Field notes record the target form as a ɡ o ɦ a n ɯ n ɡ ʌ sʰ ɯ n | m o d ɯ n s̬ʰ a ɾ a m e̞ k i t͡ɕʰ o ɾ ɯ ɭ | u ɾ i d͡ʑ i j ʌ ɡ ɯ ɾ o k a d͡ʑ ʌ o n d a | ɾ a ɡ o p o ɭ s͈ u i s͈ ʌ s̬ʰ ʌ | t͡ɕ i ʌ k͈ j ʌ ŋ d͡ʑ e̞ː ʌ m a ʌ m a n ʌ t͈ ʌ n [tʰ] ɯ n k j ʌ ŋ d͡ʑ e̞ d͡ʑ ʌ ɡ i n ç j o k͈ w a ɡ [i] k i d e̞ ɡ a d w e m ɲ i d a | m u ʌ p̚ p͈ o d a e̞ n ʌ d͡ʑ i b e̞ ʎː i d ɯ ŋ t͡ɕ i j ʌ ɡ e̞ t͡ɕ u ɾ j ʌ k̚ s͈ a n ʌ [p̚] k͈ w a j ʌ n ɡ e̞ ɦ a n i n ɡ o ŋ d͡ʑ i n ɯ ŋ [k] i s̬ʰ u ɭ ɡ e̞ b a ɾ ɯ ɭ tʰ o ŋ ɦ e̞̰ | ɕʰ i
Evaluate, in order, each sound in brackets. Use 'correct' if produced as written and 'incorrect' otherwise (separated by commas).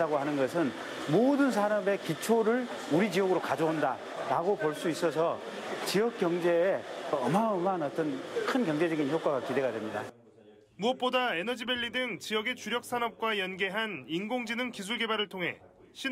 incorrect, incorrect, correct, correct